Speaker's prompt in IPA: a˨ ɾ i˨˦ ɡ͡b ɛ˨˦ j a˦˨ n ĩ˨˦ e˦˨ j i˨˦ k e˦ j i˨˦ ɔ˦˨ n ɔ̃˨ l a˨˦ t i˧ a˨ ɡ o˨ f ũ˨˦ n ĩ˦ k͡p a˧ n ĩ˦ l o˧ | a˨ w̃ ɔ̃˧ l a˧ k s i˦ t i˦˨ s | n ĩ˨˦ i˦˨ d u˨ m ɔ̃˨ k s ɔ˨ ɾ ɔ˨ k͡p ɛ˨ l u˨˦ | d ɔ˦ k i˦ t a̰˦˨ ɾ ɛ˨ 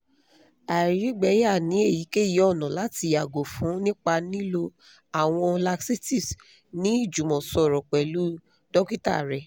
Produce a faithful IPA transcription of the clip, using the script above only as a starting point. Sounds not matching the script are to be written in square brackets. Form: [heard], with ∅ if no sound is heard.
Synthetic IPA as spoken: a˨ ɾ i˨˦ ɡ͡b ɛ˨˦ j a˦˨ n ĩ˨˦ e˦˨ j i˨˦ k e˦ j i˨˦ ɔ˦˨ n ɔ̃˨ l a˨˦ t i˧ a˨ ɡ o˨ f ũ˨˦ n ĩ˦ k͡p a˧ n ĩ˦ l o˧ | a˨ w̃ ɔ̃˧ l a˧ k s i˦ t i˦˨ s | n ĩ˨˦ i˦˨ [d͡ʒ] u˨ m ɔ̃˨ [∅] s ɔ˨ ɾ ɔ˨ k͡p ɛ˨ l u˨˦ | d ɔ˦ k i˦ t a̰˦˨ ɾ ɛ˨